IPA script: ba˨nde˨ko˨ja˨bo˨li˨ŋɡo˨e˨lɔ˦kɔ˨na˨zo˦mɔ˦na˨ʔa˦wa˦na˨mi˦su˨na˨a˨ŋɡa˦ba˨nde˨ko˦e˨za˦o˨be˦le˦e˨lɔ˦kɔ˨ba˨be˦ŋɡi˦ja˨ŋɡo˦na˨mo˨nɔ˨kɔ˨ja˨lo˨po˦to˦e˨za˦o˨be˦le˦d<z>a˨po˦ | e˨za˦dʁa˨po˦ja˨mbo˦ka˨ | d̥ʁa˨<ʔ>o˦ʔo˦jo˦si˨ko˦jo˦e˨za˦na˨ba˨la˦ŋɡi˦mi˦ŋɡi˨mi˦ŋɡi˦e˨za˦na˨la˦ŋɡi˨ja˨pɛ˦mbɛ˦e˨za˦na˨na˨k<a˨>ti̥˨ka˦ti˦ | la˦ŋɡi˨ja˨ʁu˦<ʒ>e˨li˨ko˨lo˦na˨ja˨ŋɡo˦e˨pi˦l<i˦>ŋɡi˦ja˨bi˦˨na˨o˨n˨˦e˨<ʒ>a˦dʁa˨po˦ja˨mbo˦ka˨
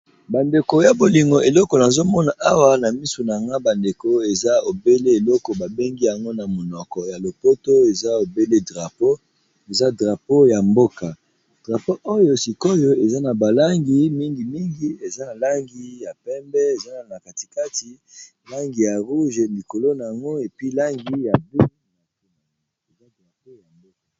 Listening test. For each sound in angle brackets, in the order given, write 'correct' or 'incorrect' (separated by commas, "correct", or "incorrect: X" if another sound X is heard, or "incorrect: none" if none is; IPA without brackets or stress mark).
incorrect: ʁ, incorrect: p, correct, correct, incorrect: a˦, incorrect: z